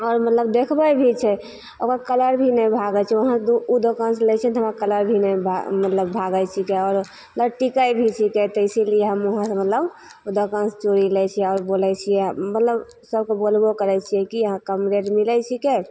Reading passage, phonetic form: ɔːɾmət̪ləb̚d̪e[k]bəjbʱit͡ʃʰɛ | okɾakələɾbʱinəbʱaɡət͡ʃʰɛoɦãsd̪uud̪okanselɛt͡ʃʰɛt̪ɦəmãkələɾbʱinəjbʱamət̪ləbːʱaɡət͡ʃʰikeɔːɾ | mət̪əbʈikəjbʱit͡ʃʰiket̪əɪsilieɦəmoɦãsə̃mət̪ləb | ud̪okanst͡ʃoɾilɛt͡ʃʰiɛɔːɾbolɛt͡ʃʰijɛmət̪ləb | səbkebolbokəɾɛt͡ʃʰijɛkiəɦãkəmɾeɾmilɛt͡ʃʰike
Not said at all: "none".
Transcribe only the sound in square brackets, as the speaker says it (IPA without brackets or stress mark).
kʰ